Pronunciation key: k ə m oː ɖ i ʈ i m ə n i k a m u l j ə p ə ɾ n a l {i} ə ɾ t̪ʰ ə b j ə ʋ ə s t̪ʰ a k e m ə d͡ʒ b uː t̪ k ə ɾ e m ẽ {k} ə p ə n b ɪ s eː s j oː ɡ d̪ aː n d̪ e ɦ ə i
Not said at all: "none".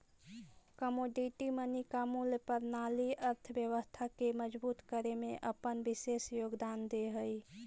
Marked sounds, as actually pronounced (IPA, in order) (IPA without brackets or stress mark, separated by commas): i, ʔ